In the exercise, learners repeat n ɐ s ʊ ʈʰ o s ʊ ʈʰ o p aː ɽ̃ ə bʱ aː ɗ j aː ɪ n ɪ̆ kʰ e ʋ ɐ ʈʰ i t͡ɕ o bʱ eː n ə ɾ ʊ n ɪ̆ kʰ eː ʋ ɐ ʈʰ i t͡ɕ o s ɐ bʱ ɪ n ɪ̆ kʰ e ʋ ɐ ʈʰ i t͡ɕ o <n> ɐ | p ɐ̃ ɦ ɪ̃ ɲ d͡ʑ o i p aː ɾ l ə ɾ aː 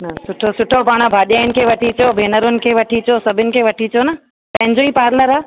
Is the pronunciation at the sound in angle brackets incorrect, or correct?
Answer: correct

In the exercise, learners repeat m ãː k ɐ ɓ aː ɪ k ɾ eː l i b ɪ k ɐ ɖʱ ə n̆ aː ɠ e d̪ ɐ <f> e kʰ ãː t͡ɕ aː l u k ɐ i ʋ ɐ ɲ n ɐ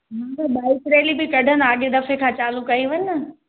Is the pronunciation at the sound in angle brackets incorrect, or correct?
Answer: correct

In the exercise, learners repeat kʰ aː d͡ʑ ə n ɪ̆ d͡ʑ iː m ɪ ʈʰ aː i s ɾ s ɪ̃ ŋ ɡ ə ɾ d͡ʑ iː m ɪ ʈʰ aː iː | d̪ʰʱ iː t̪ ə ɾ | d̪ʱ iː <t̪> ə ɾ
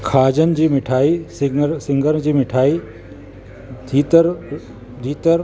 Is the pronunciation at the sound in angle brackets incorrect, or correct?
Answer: correct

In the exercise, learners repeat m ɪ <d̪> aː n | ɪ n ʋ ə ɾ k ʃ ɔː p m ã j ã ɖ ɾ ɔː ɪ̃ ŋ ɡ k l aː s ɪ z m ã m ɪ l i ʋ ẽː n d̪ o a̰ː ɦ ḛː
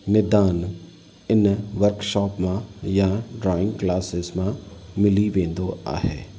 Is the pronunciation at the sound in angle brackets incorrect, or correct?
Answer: correct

